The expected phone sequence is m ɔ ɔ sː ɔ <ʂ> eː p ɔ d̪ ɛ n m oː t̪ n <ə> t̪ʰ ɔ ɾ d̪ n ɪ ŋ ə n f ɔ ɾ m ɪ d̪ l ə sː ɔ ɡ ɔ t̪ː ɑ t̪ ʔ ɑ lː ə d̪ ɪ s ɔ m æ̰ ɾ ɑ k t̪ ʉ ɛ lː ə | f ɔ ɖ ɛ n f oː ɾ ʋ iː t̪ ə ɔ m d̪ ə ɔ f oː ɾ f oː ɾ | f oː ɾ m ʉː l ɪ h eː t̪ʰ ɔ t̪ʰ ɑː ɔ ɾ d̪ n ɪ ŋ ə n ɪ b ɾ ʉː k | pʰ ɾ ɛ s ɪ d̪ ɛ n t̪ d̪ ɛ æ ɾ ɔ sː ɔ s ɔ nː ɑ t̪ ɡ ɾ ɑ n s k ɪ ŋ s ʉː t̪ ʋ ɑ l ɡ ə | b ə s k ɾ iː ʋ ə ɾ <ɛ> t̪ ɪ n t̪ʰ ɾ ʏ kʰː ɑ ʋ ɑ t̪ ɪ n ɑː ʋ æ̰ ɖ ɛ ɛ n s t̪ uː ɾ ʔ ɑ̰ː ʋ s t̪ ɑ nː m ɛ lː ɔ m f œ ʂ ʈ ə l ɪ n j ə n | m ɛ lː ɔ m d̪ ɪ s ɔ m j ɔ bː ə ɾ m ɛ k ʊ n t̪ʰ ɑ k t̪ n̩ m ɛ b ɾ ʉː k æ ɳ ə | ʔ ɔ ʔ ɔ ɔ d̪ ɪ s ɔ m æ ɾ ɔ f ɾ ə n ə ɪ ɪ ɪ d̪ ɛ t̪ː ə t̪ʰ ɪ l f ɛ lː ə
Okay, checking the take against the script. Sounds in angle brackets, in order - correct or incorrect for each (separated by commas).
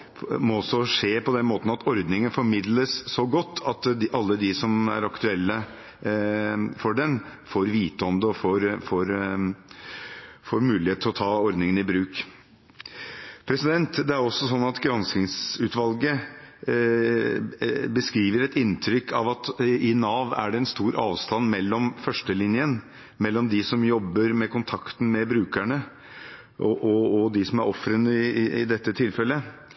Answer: correct, incorrect, correct